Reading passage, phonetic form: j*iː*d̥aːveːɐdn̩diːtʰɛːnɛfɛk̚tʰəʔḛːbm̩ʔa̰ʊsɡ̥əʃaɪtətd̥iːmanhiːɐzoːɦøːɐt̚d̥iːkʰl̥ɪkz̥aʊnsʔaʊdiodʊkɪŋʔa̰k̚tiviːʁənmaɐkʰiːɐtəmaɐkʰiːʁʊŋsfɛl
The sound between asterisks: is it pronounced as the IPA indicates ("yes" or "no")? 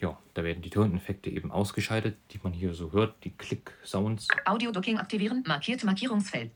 no